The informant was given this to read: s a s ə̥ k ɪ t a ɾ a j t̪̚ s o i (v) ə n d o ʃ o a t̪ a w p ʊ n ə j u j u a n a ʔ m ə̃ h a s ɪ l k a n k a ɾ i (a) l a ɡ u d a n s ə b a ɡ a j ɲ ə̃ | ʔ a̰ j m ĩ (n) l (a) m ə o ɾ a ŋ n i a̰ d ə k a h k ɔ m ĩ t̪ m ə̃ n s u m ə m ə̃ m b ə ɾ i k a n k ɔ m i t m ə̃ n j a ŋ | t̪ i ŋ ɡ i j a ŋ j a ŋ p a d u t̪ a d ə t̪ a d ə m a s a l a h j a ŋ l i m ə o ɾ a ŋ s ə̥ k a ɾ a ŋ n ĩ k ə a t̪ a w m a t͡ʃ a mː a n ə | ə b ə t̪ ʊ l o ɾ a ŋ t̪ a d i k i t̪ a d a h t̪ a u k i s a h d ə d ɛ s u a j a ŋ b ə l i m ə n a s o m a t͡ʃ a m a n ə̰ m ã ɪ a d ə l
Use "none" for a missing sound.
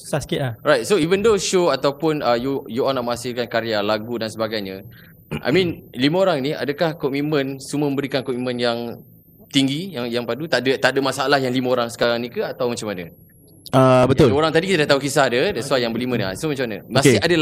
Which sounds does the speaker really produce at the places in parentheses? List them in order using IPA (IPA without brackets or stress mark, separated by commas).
v, a, n, i